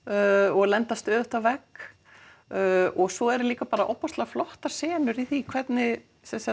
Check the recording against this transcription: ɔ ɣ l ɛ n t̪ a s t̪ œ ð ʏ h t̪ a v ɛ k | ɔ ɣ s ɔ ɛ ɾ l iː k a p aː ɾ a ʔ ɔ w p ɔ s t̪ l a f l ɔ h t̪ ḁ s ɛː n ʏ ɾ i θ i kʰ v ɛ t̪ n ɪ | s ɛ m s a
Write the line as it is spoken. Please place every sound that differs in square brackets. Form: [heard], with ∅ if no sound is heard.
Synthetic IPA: ɔ ɣ l ɛ n t̪ a s t̪ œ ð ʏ h t̪ a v ɛ k | ɔ ɣ s ɔ ɛ ɾ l iː k a p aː ɾ a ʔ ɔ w p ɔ s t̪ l a f l ɔ h t̪ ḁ s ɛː n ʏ ɾ i θ i kʰ v ɛ t̪ n ɪ | s ɛ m s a